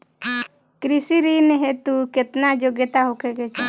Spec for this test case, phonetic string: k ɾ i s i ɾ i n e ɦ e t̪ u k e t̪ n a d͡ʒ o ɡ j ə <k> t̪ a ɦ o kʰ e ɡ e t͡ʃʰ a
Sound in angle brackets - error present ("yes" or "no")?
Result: yes